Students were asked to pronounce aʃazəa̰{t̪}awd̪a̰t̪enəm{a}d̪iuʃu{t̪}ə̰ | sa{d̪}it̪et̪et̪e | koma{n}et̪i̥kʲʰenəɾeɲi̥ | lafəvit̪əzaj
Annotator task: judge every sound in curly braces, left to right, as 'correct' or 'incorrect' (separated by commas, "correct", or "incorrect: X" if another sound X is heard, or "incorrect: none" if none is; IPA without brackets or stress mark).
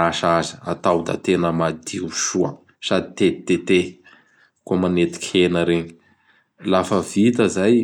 correct, correct, incorrect: none, correct, correct